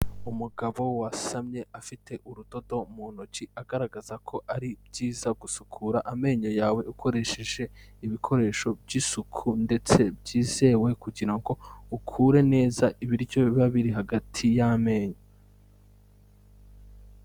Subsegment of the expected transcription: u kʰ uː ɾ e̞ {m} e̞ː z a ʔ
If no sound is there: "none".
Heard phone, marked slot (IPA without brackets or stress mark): n